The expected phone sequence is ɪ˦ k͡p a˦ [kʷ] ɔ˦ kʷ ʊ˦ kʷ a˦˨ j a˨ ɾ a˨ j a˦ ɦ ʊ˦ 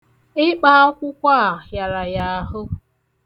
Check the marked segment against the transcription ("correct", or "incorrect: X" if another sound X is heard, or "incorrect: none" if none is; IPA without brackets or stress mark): incorrect: none